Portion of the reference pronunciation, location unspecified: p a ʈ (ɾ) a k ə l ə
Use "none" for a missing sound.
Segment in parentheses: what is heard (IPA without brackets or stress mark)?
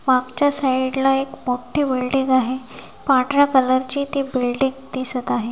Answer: ɾ